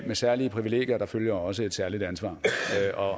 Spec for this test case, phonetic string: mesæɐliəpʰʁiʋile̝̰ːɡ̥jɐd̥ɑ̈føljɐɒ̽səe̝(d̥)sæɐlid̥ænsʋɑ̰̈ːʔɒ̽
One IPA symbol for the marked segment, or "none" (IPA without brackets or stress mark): d̥